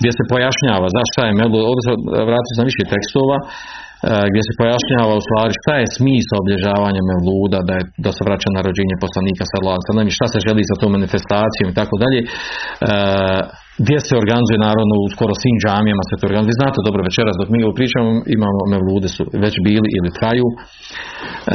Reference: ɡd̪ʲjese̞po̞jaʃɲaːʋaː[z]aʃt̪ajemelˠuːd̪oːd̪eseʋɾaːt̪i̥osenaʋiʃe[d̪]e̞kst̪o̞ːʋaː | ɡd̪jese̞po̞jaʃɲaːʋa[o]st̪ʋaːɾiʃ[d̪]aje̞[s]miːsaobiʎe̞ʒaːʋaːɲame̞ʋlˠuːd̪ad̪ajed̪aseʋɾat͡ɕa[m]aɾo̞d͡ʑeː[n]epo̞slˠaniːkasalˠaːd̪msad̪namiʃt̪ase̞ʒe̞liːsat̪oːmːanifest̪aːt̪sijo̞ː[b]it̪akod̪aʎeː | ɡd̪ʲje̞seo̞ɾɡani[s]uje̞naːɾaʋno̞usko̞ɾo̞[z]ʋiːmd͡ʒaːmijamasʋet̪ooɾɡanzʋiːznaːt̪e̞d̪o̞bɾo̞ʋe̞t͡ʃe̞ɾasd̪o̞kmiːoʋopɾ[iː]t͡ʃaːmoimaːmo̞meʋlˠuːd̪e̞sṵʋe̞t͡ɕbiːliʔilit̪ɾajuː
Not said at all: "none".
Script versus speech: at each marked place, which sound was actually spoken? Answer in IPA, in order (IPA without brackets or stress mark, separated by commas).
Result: z, t̪, u, t̪, s, n, ɲ, m, z, s, iː